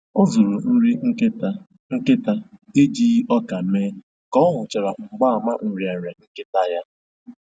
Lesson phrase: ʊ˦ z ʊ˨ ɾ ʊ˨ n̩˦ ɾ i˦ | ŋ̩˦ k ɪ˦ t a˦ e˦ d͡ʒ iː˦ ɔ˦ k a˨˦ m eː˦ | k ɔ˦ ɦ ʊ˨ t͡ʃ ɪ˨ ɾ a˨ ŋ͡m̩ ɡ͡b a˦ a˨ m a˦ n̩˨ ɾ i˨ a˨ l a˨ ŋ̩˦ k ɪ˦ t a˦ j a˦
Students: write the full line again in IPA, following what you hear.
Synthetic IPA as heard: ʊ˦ z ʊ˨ ɾ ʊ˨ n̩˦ ɾ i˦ | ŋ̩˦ k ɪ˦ t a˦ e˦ d͡ʒ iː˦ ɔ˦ k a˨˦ m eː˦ | k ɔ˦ ɦ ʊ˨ t͡ʃ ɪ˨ ɾ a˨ ŋ͡m̩ ɡ͡b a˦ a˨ m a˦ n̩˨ ɾ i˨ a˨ ɾ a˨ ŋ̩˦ k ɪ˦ t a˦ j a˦